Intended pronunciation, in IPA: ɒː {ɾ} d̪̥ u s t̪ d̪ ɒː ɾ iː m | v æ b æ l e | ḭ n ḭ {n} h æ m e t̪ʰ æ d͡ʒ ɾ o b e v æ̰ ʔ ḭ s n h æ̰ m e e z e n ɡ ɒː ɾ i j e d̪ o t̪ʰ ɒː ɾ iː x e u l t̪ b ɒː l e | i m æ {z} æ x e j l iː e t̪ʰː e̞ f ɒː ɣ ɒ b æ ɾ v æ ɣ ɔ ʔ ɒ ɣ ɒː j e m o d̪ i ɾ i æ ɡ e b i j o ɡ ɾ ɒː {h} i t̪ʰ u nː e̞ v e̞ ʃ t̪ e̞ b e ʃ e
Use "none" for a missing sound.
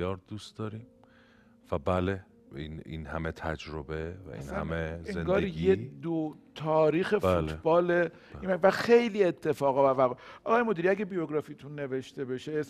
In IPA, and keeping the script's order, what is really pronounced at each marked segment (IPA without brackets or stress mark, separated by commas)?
ɾ, n, v, f